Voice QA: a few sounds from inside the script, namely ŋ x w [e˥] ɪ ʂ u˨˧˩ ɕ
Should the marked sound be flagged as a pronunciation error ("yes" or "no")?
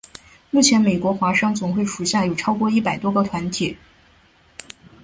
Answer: yes